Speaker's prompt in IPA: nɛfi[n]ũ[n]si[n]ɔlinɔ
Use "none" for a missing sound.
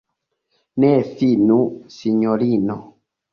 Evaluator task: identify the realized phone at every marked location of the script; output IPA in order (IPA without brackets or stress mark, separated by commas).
n, none, ɲ